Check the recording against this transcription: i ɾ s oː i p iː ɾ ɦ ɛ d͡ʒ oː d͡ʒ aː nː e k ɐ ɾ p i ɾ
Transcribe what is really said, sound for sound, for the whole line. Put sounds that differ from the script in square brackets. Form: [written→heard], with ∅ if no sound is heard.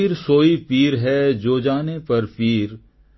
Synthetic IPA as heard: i ɾ s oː i p iː ɾ ɦ ɛ d͡ʒ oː d͡ʒ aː [nː→n] e [k→p] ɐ ɾ p [i→iː] ɾ